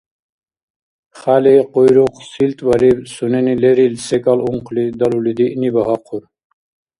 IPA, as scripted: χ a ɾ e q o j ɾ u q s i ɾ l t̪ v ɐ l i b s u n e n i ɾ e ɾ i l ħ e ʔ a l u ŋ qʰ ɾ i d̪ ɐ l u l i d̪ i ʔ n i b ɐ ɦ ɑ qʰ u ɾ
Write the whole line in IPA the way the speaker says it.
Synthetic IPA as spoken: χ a l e q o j ɾ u q s i l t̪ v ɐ ɾ i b s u n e n i l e ɾ i l s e k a l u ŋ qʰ l i d̪ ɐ l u l i d̪ i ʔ n i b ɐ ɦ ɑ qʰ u ɾ